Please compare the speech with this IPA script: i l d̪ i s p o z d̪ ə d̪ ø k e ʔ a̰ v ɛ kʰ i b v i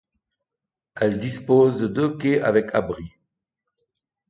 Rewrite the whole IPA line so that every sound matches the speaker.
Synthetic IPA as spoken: ɛ l d̪ i s p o z d̪ ə d̪ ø k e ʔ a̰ v ɛ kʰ a b ʁ i